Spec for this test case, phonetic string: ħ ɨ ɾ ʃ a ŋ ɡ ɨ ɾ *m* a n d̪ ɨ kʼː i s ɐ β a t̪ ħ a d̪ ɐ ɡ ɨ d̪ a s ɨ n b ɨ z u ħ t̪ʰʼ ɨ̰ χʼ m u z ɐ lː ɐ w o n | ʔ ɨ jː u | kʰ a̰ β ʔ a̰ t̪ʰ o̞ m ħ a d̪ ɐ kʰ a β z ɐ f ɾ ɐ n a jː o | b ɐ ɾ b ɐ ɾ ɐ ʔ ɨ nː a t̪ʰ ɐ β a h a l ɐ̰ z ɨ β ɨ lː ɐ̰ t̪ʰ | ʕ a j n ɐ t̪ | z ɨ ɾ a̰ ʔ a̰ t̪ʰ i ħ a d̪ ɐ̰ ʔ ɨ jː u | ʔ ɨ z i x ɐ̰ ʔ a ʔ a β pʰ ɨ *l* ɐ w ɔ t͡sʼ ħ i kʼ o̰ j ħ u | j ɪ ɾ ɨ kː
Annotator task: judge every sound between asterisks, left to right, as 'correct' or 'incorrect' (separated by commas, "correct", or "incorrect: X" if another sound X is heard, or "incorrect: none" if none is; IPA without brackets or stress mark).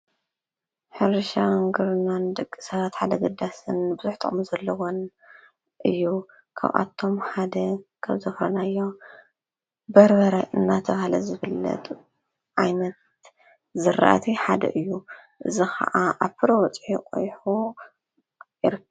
incorrect: n, incorrect: ɾ